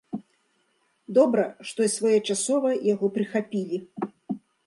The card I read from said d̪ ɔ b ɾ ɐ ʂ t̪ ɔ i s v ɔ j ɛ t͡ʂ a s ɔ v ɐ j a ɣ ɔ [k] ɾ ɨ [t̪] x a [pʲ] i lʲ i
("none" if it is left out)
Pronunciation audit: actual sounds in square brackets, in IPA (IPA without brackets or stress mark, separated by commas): p, none, pʲ